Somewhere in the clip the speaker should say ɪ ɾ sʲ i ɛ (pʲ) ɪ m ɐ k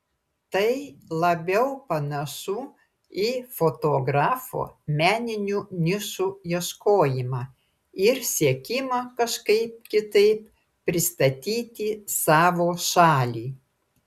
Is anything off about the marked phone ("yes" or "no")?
yes